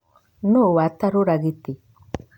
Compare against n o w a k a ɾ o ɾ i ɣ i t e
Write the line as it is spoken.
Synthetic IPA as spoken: n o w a t a ɾ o ɾ a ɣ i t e